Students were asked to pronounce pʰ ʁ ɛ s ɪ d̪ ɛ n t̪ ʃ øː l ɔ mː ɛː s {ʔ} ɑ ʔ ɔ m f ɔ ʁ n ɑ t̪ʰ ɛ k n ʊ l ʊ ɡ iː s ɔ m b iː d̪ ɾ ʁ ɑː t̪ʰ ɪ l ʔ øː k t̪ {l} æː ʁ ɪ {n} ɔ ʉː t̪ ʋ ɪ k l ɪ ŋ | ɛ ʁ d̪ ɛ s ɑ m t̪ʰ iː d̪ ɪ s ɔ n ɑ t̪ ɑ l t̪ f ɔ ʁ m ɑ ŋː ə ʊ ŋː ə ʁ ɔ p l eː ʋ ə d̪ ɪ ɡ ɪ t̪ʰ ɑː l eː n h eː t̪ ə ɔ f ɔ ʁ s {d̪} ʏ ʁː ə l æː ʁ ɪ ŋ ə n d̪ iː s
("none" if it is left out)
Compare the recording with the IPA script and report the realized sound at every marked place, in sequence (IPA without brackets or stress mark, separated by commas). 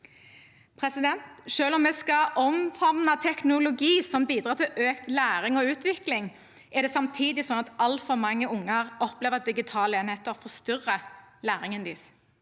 k, l, ŋ, t̪